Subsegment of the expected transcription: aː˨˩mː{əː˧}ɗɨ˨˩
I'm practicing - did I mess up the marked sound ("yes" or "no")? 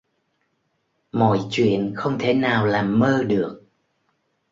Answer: no